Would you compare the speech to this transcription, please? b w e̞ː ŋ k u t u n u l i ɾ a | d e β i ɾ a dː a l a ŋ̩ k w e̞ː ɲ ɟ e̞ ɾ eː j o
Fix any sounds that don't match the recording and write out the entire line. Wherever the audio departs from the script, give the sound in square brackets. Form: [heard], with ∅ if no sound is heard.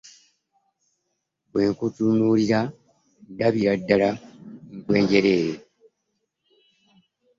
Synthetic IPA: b w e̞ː ŋ k u t u n u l i ɾ a | d [a] β i ɾ a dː a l a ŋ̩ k w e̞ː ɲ ɟ e̞ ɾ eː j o